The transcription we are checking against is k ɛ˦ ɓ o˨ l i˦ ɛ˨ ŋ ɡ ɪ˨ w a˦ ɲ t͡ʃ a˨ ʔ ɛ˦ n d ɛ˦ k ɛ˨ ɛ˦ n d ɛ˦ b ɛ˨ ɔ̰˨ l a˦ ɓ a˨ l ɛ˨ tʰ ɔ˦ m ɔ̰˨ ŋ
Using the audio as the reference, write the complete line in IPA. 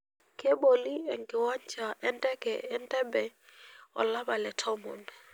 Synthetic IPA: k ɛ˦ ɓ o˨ l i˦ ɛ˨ ŋ ɡ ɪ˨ w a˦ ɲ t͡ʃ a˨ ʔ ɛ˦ n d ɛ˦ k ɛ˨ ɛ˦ n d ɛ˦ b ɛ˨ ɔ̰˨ l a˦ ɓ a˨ l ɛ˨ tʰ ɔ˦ m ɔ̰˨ n